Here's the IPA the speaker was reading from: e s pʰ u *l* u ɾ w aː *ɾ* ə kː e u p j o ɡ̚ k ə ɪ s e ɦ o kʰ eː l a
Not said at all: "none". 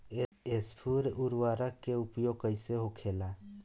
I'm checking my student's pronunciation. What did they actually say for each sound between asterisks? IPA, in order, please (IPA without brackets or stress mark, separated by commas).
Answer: ɾ, ɾ